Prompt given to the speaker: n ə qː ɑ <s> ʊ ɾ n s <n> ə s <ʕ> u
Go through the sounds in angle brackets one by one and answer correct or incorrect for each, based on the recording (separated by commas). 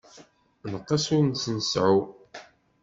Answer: correct, correct, correct